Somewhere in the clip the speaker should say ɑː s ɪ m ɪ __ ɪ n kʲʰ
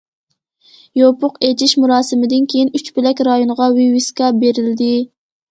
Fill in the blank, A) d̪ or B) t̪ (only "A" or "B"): A